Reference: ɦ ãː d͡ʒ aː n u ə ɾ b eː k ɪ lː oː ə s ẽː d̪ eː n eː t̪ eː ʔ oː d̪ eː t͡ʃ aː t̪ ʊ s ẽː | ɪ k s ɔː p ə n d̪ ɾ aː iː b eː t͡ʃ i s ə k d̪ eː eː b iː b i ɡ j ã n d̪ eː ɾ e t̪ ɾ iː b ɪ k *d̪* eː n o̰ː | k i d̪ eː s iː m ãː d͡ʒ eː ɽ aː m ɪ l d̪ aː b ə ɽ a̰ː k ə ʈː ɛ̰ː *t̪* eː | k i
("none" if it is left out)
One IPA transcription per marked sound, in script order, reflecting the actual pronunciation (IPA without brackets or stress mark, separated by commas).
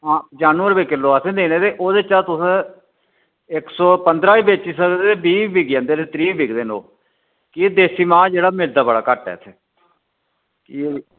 d̪, t̪ʰ